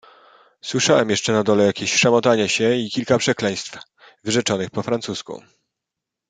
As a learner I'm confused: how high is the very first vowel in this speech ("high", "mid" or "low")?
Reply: mid